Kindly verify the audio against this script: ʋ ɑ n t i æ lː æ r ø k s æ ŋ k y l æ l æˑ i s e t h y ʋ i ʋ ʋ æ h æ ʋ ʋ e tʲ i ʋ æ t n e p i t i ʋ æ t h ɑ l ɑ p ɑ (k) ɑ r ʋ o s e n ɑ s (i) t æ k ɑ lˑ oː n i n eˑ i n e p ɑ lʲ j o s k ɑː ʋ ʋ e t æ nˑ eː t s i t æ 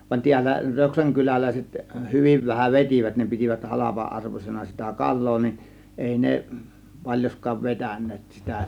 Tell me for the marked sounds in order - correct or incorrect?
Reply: incorrect: ʔ, correct

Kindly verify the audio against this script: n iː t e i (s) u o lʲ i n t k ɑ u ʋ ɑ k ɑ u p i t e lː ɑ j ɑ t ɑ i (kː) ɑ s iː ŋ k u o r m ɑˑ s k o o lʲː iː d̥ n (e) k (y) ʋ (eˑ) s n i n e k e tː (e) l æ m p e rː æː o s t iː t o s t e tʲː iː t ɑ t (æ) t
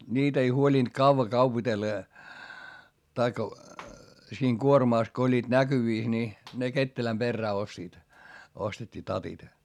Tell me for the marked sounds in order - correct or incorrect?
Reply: incorrect: h, correct, incorrect: æ, correct, incorrect: iˑ, correct, incorrect: i

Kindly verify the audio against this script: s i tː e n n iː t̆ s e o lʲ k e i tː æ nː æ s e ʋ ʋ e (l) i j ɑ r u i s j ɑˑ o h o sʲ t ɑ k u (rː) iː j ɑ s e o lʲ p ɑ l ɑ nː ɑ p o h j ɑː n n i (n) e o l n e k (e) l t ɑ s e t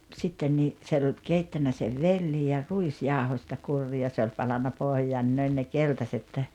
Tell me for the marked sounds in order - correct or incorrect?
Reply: incorrect: lː, correct, correct, correct

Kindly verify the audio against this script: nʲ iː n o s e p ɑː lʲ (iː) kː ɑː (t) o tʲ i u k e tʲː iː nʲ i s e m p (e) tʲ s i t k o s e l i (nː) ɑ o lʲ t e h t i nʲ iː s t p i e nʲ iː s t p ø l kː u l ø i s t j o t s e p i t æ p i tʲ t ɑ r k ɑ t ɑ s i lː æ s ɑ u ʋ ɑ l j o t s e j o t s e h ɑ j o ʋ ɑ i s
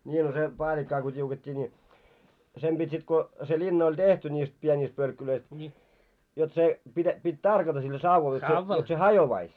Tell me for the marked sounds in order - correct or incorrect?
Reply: incorrect: i, incorrect: k, incorrect: i, correct

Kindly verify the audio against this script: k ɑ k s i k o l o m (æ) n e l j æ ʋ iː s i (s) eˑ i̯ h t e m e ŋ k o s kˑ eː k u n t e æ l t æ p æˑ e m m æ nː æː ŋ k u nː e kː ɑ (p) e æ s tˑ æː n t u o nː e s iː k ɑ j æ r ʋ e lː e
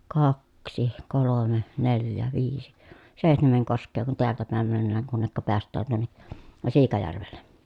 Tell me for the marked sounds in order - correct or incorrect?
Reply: incorrect: e, correct, correct

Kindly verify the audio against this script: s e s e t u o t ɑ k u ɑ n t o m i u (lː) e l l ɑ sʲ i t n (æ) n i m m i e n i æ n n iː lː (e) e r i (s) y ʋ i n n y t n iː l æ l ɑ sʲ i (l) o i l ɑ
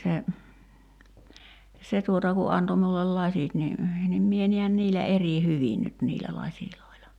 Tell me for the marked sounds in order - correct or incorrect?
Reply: correct, incorrect: i, incorrect: æ, incorrect: h, correct

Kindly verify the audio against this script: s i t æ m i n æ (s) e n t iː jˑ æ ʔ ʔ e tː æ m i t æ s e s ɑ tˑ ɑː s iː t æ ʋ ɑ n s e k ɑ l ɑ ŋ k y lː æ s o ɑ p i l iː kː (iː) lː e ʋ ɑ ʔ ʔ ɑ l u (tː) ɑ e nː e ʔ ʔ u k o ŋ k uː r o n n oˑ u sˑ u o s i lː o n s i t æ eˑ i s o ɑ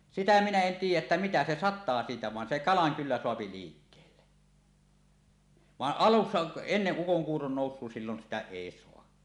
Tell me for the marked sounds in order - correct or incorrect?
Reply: incorrect: none, incorrect: eː, incorrect: sː

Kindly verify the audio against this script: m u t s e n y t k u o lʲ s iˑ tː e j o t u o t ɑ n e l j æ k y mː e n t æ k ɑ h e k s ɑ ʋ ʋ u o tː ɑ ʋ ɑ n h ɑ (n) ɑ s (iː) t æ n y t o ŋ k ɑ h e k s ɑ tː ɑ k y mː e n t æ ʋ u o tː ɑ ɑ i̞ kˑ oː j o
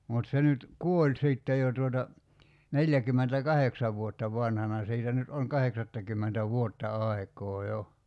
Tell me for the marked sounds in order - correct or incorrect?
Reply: correct, correct

